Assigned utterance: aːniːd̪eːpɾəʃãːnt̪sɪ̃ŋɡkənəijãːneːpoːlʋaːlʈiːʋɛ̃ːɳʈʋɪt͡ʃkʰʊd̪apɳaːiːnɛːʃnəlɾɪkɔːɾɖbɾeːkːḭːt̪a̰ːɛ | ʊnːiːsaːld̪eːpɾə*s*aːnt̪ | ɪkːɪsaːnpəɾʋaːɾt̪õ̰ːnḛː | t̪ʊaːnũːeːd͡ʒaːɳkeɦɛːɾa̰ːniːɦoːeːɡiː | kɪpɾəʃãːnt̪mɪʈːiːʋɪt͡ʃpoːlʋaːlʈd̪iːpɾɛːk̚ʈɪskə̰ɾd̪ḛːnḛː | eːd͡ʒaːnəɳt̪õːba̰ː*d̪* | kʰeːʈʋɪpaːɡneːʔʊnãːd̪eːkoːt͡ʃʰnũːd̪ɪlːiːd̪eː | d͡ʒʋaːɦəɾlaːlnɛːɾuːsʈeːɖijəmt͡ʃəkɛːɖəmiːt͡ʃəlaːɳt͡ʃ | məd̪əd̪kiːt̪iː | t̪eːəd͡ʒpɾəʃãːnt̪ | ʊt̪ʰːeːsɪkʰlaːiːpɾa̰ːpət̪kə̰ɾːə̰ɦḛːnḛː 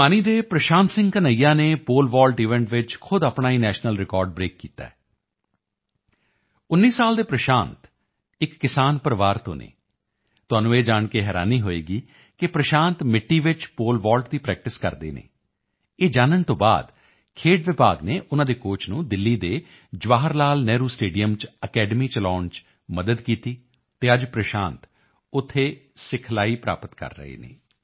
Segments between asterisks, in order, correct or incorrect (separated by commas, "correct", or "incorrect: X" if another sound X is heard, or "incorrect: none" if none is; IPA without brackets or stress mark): incorrect: ʃ, correct